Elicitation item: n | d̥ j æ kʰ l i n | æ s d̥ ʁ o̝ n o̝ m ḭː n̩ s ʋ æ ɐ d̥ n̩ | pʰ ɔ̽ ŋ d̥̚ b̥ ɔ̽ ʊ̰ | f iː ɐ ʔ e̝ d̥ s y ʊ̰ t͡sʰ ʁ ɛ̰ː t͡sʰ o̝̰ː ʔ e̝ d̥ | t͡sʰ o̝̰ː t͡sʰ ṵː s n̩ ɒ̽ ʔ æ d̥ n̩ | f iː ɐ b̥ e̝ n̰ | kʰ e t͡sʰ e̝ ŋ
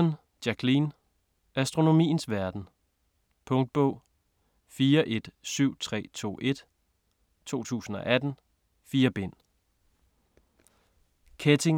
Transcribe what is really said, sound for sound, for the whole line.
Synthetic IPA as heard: n | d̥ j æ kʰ l i n | æ s d̥ ʁ o̝ n o̝ m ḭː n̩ s ʋ æ ɐ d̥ n̩ | pʰ ɔ̽ ŋ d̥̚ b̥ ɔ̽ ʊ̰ | f iː ɐ ʔ e̝ d̥ s y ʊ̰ t͡sʰ ʁ ɛ̰ː t͡sʰ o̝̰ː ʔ e̝ d̥ | t͡sʰ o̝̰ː t͡sʰ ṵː s n̩ ɒ̽ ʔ æ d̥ n̩ | f iː ɐ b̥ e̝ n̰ | kʰ e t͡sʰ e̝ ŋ